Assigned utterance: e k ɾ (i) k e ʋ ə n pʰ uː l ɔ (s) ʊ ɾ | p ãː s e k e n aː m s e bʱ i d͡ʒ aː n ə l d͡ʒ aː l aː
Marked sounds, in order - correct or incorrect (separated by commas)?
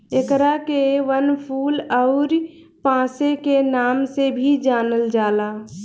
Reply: incorrect, incorrect